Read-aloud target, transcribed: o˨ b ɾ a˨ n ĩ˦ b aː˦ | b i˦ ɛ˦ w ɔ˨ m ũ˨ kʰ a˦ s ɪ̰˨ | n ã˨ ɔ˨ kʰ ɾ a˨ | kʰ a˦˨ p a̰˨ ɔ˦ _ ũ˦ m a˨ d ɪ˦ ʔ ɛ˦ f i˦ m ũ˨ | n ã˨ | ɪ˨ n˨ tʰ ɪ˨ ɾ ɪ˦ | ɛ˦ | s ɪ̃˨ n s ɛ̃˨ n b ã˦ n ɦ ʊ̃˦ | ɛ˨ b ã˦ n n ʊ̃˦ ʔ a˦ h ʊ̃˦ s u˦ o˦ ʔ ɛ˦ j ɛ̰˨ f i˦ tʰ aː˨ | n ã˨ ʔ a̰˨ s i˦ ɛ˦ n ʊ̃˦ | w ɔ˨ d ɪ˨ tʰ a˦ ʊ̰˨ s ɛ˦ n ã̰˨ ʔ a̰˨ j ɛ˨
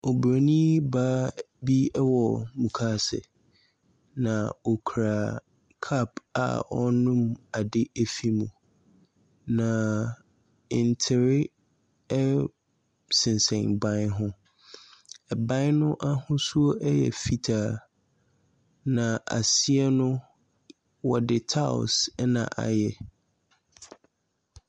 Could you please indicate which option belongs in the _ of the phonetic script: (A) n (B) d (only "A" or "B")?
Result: A